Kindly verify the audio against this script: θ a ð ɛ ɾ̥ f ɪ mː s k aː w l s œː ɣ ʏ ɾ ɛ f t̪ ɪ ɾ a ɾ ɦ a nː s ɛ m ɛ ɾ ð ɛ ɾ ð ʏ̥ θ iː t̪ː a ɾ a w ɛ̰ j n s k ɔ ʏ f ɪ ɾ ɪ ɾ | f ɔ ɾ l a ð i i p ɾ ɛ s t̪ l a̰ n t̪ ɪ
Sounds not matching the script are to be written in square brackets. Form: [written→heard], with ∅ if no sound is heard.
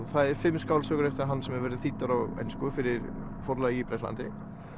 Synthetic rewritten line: θ a ð ɛ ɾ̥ f ɪ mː s k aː w l s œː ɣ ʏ ɾ ɛ f t̪ ɪ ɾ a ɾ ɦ a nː s ɛ m ɛ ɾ [ð→v] ɛ ɾ ð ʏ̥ θ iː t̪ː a ɾ a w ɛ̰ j n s k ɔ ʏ f ɪ ɾ ɪ ɾ | f ɔ ɾ l a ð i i p ɾ ɛ s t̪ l a̰ n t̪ ɪ